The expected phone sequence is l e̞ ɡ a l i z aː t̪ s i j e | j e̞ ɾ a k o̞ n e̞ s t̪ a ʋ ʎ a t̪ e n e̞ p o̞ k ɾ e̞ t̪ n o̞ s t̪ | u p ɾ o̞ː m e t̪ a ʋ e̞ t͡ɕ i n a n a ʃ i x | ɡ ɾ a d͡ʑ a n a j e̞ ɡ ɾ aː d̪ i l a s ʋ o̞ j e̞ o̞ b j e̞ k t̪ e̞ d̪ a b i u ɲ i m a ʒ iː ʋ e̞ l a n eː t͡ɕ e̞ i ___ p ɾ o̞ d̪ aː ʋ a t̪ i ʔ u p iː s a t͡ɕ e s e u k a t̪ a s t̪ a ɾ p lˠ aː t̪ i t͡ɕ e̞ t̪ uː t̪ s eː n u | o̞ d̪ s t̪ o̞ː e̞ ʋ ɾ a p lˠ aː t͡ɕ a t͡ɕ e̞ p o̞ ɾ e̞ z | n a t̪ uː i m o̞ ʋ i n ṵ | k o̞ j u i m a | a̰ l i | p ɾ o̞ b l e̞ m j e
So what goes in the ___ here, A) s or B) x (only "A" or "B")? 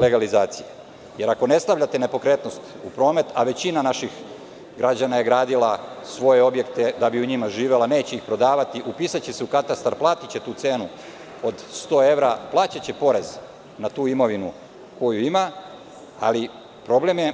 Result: B